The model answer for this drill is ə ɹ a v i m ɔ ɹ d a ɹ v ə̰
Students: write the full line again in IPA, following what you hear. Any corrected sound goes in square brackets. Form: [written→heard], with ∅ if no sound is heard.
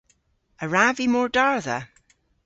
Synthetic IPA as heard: ə ɹ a v i m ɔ ɹ d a ɹ [v→ð] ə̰